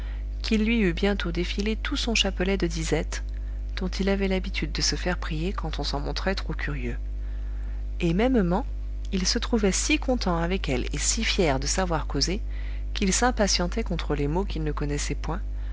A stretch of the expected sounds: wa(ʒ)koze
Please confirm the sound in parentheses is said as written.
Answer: no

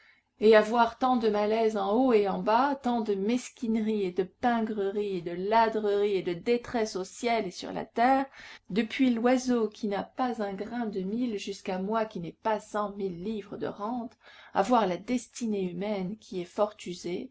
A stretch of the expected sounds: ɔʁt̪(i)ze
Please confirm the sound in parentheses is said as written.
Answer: no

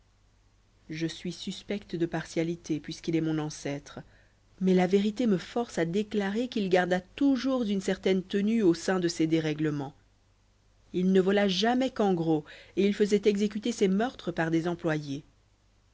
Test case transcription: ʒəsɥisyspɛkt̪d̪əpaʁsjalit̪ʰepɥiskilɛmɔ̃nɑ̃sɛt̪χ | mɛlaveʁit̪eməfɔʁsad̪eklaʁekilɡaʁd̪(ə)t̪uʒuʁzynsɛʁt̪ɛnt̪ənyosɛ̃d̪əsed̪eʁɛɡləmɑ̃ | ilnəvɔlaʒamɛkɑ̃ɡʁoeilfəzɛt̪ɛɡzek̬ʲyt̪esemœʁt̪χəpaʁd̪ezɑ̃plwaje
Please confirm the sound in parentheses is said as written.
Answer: no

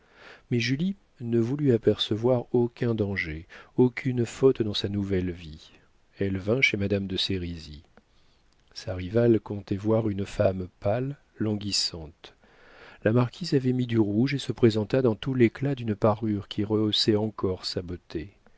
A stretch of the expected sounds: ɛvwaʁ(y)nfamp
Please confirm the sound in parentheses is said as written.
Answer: yes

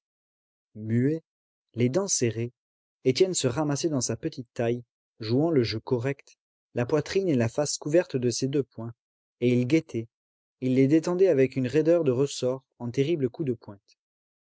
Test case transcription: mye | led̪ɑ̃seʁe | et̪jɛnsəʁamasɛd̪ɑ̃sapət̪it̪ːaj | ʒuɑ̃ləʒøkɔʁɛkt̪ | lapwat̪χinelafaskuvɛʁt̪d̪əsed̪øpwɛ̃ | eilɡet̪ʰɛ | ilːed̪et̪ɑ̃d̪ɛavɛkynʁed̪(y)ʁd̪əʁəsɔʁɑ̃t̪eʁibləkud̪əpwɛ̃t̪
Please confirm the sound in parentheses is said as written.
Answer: no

